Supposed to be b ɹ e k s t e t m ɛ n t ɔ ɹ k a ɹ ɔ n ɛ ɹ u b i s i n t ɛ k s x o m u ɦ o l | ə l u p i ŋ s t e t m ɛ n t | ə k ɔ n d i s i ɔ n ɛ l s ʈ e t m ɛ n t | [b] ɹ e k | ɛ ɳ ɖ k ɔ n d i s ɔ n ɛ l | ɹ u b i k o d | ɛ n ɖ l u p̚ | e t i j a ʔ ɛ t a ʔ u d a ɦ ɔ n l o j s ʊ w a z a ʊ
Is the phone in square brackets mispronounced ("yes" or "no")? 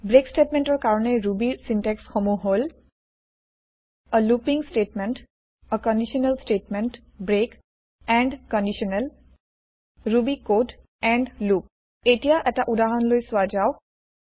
no